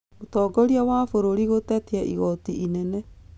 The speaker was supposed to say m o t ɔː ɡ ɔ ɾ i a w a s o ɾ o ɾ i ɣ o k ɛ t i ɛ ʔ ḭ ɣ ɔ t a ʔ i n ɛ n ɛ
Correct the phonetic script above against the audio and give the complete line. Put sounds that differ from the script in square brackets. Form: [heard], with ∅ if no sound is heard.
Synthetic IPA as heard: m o t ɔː ɡ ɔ ɾ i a w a [f] o ɾ o ɾ i ɣ o [t] ɛ t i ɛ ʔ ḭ ɣ ɔ t [i] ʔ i n ɛ n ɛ